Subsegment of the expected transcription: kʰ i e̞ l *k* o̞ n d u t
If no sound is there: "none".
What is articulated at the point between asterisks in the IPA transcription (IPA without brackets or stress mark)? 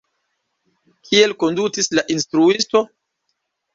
k